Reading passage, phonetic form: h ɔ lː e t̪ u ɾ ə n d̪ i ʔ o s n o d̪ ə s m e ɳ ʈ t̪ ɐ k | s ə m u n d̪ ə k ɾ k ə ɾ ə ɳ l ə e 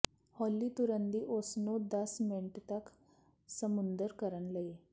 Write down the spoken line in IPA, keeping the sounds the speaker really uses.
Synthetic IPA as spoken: h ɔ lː i t̪ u ɾ ə n d̪ i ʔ o s n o d̪ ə s m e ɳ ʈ t̪ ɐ k | s ə m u n d̪ ə ɾ k ə ɾ ə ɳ l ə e